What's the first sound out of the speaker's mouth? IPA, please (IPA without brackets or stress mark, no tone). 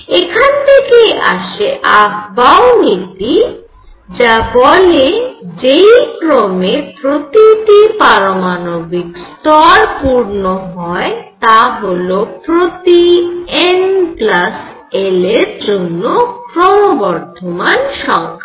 e